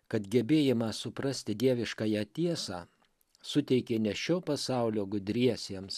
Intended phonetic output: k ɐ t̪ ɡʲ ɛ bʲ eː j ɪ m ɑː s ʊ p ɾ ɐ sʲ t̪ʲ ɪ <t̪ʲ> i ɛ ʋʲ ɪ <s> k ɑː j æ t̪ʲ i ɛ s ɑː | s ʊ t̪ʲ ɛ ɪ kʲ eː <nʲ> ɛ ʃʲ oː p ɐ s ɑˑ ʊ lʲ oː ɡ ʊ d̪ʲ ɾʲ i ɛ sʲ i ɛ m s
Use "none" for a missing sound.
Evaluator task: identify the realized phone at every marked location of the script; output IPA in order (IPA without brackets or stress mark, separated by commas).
d̪ʲ, ʃ, nʲ